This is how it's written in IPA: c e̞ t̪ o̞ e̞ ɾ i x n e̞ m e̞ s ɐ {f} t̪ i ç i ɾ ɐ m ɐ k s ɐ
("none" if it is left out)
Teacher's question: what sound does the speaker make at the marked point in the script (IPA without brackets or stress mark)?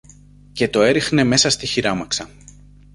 s